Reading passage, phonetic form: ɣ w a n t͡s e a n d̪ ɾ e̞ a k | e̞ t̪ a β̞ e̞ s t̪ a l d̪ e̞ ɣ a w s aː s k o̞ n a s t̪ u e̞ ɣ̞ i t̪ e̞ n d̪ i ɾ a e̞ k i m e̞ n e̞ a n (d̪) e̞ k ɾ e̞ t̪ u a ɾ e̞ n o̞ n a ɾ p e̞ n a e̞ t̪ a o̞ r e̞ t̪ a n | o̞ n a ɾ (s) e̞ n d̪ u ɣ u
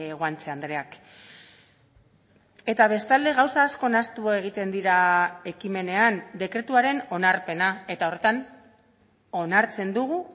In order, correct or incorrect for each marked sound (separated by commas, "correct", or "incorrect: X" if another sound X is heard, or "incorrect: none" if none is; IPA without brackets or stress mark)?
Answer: correct, incorrect: t͡s